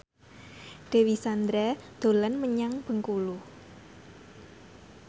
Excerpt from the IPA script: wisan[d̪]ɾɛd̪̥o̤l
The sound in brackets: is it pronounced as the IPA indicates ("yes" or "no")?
yes